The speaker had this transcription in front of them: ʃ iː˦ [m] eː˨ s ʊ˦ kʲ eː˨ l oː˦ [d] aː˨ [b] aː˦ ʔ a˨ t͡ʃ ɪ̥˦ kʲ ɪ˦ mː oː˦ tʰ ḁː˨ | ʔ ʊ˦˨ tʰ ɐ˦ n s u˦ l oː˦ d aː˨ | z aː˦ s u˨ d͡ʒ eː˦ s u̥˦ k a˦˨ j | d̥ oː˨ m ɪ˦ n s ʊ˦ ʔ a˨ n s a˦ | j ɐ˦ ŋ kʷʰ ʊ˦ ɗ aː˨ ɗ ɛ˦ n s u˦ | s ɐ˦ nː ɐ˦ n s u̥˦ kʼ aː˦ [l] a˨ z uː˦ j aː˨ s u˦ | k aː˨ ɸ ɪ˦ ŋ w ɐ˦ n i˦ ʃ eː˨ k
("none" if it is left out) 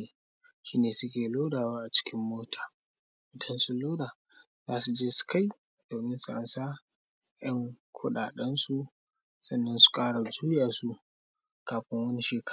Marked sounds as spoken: n, d, w, ɽ

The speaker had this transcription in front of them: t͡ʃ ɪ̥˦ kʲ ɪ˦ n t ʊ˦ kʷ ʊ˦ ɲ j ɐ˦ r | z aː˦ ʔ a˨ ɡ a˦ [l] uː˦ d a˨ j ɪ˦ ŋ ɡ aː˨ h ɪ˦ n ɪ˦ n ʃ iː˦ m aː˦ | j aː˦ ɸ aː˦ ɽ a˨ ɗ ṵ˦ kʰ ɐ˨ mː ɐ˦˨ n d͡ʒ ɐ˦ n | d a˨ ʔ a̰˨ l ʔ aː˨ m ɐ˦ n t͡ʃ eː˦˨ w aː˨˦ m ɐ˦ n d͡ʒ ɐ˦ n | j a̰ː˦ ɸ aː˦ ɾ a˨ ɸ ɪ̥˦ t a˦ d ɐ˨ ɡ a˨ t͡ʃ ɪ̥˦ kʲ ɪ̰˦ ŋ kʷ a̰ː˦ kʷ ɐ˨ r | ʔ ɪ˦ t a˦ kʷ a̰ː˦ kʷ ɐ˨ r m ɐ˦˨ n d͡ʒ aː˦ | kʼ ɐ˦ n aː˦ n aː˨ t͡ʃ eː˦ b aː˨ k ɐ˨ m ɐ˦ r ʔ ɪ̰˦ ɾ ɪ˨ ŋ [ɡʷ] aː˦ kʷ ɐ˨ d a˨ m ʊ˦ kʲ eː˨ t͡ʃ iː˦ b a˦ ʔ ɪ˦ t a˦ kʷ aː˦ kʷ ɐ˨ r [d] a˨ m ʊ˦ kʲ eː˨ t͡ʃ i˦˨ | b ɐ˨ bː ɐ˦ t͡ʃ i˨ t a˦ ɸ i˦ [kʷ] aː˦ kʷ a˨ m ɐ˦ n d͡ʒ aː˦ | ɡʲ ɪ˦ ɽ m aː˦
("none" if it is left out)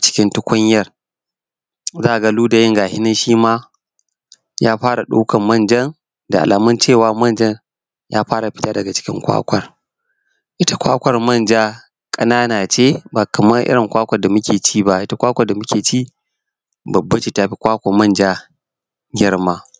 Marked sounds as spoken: l, kʷ, d, kʷ

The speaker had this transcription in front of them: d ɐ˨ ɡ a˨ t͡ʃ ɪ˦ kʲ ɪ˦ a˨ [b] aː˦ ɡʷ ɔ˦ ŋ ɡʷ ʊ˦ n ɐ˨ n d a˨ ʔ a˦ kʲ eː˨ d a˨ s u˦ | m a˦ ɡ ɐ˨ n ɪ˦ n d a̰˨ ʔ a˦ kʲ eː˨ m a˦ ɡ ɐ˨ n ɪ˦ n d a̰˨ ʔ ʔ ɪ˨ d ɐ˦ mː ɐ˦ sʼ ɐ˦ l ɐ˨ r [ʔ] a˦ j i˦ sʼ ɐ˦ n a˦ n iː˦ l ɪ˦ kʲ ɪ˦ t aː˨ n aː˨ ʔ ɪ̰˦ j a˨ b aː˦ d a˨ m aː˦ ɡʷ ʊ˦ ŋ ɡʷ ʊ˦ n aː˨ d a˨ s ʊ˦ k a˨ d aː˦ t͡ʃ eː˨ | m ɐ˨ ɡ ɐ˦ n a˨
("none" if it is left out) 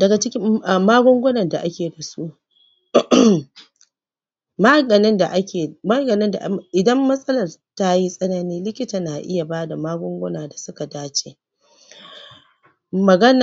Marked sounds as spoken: m, t

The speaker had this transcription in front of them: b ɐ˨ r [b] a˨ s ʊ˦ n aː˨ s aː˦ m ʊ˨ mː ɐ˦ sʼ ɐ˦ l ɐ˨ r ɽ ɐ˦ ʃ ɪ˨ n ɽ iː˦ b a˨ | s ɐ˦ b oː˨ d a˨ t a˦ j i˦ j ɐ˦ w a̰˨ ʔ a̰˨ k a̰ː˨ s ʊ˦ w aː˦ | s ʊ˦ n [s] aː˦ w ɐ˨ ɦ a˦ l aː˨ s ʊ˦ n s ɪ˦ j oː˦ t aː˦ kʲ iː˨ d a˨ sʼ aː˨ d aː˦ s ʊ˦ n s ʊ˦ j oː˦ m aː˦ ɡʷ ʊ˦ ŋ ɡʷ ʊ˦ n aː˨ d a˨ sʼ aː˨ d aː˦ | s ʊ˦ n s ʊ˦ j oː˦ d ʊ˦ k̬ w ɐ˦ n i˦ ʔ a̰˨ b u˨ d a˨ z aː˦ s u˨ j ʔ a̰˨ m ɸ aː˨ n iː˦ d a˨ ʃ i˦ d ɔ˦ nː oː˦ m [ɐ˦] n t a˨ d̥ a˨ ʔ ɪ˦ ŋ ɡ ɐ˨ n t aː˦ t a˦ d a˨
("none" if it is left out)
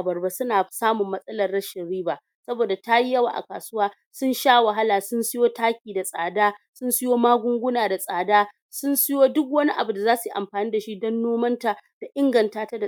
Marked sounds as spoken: b, ʃ, ɐ˦

